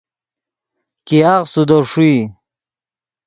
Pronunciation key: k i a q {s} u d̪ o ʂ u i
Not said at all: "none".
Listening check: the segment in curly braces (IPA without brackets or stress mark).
s